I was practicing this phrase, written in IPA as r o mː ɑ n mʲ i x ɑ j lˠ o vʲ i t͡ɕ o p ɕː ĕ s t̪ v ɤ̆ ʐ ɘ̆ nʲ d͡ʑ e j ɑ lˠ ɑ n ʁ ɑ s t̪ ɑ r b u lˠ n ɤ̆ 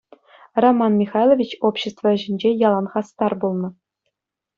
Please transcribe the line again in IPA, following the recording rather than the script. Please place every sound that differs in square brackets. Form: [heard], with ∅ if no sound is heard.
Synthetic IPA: r o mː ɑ n mʲ i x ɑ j lˠ o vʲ i t͡ɕ o p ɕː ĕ s t̪ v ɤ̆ [ʑ] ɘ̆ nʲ d͡ʑ e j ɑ lˠ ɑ n ʁ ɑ s t̪ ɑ r b u lˠ n ɤ̆